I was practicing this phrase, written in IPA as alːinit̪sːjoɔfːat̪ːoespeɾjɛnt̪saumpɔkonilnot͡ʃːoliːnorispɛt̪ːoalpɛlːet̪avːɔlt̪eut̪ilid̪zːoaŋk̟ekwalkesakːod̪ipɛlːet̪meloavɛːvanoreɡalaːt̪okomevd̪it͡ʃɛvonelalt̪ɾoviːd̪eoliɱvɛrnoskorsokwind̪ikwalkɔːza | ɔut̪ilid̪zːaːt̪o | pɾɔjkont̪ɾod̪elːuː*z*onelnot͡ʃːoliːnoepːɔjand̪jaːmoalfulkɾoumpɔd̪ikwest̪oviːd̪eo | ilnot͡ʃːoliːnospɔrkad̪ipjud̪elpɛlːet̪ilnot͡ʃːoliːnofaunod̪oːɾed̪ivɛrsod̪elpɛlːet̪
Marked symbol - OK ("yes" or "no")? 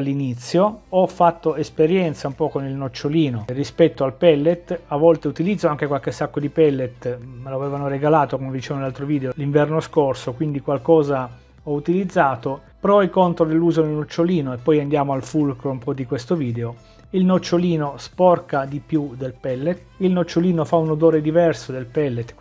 yes